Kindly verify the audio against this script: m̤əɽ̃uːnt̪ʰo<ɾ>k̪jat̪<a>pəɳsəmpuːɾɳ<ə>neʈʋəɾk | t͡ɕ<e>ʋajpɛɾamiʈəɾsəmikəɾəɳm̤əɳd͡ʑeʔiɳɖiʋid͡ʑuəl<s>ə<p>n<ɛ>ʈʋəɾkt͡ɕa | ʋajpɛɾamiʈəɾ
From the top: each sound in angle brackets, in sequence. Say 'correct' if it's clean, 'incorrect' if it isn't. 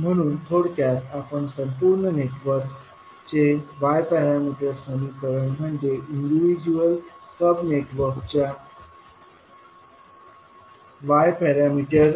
incorrect: ɽ, correct, correct, correct, correct, incorrect: b, incorrect: e

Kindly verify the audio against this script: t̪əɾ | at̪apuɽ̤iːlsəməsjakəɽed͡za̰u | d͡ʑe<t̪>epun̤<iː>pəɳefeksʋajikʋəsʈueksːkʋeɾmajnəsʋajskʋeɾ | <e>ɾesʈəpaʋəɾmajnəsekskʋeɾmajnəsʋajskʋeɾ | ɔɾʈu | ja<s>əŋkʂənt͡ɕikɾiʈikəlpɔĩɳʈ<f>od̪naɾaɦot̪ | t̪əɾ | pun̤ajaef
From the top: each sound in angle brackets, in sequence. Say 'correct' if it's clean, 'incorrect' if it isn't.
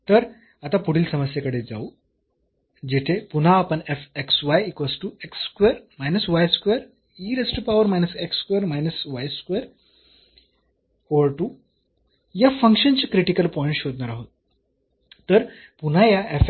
incorrect: t̪ʰ, incorrect: aː, incorrect: i, incorrect: f, incorrect: ɕ

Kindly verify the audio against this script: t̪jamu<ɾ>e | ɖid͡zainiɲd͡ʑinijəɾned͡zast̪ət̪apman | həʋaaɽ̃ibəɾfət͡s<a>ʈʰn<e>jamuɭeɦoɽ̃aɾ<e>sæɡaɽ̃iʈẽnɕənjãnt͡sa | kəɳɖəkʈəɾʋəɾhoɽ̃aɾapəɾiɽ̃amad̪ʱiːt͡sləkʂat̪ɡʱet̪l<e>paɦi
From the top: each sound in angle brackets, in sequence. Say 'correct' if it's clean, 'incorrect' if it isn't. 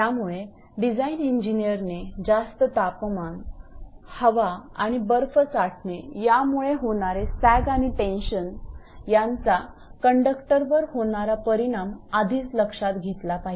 incorrect: ɭ, correct, correct, correct, incorrect: a

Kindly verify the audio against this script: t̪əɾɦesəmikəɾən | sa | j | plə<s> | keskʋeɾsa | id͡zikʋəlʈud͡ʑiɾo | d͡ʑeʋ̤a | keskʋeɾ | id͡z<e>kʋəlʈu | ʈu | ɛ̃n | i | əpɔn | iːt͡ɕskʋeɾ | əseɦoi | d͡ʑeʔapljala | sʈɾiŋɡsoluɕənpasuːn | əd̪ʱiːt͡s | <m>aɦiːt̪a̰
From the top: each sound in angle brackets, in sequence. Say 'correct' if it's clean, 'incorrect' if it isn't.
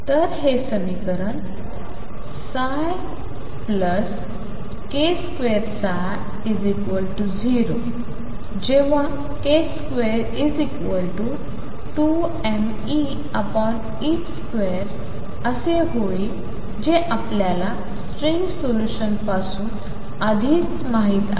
correct, incorrect: i, correct

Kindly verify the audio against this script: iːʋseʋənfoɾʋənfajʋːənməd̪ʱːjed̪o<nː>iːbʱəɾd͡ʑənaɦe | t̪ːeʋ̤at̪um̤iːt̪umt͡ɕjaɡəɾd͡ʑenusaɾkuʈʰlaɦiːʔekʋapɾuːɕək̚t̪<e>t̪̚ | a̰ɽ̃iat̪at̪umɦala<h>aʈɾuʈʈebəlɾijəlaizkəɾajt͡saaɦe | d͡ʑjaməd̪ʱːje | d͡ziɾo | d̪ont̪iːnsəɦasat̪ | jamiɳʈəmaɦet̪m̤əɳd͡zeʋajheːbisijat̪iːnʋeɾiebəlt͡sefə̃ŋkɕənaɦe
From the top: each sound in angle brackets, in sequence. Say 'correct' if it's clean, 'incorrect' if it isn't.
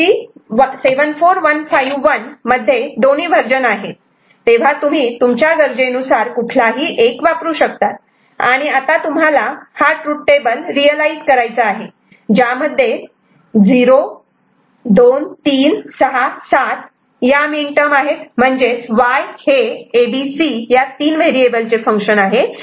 incorrect: n, incorrect: a, correct

